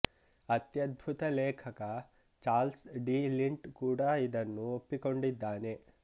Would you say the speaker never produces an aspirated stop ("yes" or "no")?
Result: no